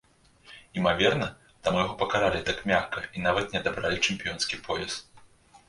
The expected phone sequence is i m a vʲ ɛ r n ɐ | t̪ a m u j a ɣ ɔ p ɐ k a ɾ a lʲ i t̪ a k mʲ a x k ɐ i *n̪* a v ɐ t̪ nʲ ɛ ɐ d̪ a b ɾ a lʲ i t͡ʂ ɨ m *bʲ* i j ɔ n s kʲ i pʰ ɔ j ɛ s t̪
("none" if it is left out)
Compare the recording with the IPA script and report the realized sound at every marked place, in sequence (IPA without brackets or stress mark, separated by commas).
n̪, pʲ